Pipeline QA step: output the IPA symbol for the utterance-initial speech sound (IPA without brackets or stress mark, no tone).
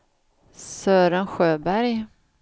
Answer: s